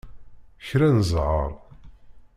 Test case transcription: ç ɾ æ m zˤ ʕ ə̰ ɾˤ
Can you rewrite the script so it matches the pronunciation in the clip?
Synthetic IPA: ç ɾ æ n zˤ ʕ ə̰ ɾˤ